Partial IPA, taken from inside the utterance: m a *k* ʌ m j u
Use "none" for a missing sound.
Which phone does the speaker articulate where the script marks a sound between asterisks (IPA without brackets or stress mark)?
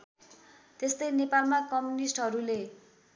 k